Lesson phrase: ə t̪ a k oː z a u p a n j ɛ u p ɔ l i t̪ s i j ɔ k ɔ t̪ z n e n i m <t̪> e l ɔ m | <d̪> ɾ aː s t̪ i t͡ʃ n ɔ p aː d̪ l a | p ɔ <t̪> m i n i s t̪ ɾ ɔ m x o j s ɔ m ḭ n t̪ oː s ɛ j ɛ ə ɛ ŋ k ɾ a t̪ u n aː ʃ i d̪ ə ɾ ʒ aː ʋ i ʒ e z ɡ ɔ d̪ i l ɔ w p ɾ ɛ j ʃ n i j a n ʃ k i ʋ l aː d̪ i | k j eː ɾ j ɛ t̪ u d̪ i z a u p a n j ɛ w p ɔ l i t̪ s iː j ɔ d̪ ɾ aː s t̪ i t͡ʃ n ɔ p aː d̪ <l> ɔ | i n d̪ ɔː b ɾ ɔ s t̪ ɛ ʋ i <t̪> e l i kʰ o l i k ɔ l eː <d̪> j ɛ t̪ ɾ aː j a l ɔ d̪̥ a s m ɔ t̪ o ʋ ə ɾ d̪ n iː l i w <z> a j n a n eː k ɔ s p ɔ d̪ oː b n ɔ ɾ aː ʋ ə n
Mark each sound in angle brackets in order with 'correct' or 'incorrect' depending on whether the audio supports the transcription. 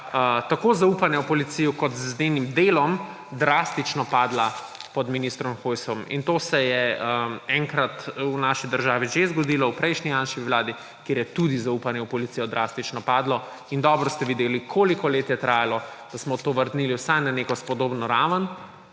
incorrect: d̪, correct, incorrect: d̪, correct, incorrect: d̪, incorrect: t̪, incorrect: s

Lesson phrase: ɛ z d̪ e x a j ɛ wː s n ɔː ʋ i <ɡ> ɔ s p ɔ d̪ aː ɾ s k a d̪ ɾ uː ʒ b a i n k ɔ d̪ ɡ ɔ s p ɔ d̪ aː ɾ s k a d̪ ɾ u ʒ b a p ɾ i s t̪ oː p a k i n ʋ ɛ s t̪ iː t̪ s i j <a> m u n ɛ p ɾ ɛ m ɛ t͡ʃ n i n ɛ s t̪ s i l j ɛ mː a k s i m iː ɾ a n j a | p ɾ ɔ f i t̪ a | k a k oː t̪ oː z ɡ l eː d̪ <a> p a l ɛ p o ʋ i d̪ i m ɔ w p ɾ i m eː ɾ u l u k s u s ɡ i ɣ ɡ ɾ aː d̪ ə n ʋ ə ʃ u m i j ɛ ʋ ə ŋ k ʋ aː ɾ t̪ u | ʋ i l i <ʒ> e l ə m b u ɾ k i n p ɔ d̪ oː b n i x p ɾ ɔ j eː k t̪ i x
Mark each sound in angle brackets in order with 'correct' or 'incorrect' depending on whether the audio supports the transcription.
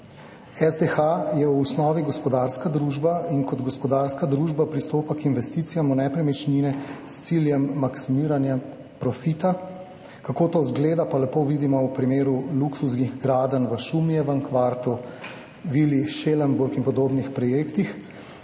correct, correct, correct, incorrect: ʃ

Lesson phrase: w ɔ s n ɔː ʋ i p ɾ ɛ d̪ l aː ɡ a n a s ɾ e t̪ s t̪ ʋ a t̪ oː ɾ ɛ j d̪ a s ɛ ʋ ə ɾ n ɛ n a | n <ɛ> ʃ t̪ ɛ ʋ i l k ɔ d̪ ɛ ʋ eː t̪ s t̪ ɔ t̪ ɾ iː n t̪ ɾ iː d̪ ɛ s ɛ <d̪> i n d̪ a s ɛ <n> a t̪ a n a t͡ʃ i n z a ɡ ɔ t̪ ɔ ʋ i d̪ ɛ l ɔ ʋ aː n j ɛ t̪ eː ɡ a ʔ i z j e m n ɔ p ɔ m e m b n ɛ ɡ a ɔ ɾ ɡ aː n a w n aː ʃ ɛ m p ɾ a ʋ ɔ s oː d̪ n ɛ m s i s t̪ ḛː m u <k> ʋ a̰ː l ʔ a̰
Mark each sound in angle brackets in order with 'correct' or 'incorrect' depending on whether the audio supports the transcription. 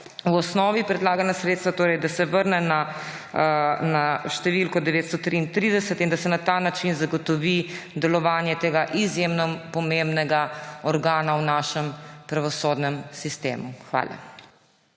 incorrect: a, incorrect: t̪, correct, incorrect: x

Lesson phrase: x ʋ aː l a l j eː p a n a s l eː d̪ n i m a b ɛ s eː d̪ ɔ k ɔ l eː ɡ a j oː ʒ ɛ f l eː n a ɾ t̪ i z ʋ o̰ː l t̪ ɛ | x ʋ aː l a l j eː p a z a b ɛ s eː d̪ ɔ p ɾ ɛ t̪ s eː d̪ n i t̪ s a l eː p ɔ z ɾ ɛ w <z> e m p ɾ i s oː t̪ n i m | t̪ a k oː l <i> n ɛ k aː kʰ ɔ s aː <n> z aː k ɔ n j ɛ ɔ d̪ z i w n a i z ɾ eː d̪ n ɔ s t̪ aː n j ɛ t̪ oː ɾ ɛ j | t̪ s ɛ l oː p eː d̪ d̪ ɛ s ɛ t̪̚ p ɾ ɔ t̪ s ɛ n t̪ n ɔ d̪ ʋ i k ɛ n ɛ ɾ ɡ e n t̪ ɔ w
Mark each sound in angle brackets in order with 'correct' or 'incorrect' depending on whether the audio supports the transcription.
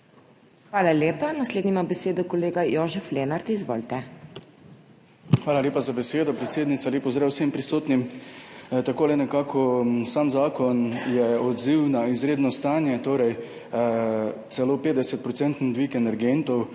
incorrect: s, incorrect: ɛ, incorrect: m

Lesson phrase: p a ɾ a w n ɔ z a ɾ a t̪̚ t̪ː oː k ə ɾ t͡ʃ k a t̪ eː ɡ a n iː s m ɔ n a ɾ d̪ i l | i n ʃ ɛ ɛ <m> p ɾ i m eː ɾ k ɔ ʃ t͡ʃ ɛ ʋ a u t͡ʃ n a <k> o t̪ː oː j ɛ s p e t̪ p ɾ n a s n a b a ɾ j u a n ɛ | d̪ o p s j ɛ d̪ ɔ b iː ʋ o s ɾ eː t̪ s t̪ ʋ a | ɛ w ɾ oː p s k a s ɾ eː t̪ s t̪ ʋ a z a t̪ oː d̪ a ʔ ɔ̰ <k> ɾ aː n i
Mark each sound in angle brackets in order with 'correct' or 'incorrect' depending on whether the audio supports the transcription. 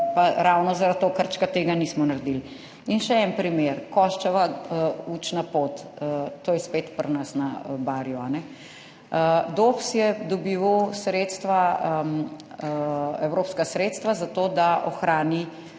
incorrect: n, incorrect: p, incorrect: x

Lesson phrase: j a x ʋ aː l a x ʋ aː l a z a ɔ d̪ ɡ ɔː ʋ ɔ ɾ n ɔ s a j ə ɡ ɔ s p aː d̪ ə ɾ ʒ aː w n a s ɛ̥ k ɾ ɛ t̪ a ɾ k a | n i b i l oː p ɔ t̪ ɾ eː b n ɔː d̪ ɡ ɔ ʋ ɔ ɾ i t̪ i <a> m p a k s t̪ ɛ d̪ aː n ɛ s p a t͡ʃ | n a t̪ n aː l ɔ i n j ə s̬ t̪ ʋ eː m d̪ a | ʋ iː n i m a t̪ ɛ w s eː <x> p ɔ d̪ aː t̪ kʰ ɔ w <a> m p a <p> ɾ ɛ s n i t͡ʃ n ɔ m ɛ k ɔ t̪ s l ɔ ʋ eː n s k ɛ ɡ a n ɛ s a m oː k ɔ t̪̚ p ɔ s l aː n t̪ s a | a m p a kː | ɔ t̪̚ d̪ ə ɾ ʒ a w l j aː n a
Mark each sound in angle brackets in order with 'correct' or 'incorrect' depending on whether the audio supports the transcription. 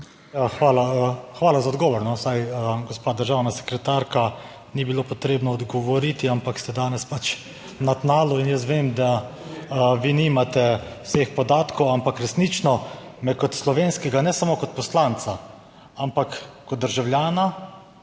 correct, correct, correct, incorrect: k

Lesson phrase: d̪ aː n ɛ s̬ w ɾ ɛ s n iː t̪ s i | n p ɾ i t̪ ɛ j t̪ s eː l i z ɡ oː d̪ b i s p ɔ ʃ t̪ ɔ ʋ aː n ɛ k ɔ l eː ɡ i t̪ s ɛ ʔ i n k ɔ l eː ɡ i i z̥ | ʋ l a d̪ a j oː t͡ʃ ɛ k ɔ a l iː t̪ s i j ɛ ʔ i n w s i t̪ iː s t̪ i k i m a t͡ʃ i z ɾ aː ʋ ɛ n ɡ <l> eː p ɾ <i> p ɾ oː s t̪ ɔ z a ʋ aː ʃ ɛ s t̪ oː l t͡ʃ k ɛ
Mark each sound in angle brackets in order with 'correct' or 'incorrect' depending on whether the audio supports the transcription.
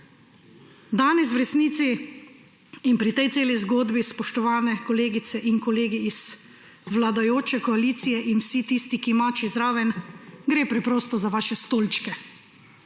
incorrect: ɾ, incorrect: ɛ

